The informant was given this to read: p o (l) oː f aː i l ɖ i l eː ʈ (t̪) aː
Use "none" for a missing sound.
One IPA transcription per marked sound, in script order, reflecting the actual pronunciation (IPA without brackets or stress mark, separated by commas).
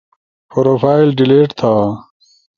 ɾ, t̪ʰ